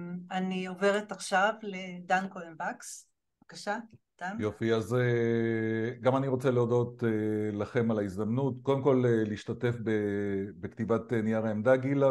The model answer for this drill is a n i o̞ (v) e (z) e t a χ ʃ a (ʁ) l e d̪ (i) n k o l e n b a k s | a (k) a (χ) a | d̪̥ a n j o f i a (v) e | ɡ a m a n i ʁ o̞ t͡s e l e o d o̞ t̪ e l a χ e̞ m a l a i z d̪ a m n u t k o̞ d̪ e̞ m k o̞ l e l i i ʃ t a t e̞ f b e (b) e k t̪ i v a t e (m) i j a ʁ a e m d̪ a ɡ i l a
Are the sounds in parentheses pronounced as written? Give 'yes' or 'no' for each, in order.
yes, no, no, no, yes, no, no, yes, no

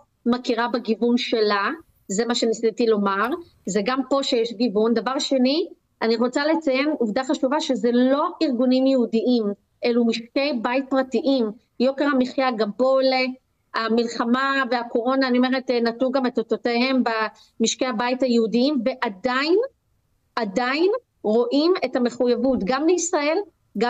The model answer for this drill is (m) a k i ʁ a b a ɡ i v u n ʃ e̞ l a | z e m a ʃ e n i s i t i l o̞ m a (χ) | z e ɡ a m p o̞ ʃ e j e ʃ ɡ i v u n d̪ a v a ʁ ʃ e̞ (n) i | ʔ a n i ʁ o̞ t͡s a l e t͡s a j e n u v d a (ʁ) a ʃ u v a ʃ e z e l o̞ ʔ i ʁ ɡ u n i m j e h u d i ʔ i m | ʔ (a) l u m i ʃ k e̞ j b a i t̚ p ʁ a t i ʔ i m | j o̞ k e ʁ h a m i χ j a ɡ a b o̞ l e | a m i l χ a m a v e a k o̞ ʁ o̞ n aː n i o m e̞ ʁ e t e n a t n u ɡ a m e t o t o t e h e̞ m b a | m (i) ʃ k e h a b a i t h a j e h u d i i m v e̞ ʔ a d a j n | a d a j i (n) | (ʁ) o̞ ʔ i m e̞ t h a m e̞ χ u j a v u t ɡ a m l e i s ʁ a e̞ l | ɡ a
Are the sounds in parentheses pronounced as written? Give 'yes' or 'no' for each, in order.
yes, no, yes, no, no, yes, yes, yes

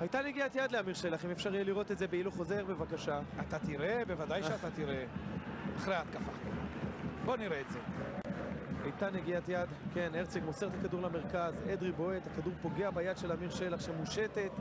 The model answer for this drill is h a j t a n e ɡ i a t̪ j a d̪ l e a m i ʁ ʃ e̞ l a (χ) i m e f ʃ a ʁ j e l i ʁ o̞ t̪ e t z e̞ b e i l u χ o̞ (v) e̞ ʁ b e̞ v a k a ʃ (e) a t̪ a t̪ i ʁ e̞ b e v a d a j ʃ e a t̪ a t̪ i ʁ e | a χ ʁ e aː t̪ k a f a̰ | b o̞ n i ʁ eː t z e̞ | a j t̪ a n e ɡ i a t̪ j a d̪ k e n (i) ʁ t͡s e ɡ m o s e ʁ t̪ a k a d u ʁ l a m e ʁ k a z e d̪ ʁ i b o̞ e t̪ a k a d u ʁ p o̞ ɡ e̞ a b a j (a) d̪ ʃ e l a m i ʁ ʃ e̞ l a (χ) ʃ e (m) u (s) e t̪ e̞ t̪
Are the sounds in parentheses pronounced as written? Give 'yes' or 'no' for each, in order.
yes, no, no, no, yes, yes, yes, no

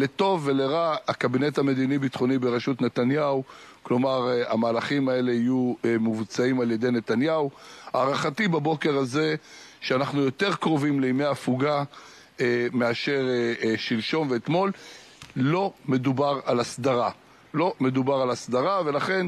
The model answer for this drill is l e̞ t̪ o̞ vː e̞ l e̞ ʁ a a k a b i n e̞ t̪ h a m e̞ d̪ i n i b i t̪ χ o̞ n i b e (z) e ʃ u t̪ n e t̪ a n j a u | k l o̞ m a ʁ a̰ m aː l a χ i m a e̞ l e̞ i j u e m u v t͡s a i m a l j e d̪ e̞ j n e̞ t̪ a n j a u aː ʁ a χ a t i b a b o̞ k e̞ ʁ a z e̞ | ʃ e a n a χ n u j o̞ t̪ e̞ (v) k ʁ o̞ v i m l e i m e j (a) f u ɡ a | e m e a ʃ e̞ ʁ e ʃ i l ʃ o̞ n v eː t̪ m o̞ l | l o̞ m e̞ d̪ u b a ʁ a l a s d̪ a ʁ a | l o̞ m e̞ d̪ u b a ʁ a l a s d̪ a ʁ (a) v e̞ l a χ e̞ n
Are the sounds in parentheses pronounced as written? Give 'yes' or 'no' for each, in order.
no, no, yes, yes

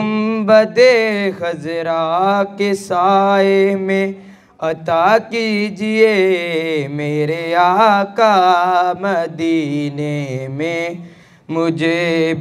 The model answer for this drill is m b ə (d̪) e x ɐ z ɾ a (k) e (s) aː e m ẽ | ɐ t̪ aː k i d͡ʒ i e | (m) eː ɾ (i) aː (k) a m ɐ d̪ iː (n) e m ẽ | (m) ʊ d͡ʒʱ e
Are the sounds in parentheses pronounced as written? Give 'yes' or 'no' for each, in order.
yes, yes, yes, yes, no, yes, yes, yes

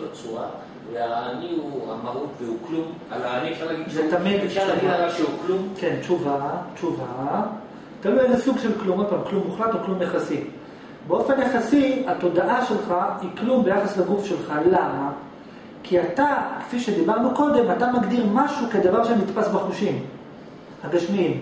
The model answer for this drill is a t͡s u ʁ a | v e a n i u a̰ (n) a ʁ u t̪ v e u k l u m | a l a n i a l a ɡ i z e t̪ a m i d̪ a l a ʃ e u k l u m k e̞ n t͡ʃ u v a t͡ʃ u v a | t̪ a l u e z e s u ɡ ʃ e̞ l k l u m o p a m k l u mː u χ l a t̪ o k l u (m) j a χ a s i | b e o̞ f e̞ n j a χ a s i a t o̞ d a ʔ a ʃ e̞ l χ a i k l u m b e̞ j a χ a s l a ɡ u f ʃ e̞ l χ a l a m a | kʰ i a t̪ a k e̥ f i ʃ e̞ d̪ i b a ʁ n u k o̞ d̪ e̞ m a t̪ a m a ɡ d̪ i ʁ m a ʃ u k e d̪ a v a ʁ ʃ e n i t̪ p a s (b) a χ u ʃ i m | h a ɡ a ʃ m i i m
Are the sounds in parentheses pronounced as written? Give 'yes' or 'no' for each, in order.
no, yes, yes

